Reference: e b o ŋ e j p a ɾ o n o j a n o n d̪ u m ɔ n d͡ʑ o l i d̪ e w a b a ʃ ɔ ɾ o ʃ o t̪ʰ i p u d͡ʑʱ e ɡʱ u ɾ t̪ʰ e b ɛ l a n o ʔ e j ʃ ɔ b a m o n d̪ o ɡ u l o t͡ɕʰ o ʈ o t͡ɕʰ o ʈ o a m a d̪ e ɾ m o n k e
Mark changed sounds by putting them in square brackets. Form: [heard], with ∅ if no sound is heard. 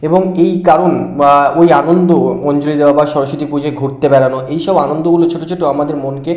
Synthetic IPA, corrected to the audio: e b o ŋ e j [k] a ɾ o n o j a n o n d̪ [o] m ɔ n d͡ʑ o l i d̪ e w a b a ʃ ɔ ɾ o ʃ o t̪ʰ i p u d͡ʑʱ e ɡʱ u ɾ [t̪] e b ɛ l a n o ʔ e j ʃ ɔ b a [n] o n d̪ o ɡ u l o t͡ɕʰ o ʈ o t͡ɕʰ o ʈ o a m a d̪ e ɾ m o n k e